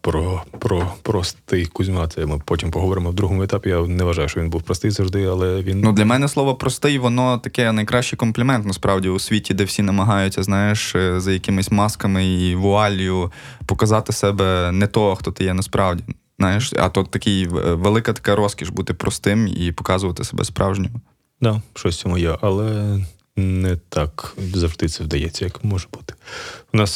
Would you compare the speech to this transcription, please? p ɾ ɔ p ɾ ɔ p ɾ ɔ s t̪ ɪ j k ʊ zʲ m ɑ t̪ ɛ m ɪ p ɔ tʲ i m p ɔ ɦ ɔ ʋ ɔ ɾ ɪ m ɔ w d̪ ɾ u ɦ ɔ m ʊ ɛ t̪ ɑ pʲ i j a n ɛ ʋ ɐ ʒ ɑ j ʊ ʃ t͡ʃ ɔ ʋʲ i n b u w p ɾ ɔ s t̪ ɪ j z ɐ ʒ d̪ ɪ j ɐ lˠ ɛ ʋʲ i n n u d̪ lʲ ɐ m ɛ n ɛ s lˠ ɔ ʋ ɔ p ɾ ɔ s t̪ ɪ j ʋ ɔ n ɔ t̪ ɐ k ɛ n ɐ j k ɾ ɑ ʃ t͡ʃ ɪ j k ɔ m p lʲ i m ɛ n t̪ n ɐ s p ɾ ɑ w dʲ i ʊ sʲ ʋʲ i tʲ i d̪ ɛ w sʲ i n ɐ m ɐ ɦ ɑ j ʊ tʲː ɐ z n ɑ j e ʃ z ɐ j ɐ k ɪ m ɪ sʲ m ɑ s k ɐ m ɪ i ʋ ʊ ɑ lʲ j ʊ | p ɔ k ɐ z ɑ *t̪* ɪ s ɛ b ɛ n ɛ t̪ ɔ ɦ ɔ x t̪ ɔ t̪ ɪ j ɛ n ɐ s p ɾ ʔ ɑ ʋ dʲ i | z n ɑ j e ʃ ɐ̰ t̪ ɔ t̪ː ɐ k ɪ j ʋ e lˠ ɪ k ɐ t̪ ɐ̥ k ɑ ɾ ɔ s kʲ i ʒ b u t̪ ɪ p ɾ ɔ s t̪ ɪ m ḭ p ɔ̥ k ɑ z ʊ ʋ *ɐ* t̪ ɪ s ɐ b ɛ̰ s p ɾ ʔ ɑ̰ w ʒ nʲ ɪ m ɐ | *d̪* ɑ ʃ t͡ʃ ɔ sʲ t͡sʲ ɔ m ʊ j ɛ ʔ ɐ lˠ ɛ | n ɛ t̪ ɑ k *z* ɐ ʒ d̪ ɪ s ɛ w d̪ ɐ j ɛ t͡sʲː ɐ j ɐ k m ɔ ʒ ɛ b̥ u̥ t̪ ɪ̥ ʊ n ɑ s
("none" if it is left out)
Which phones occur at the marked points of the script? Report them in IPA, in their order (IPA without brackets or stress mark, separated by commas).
t̪, ɐ, d̪, z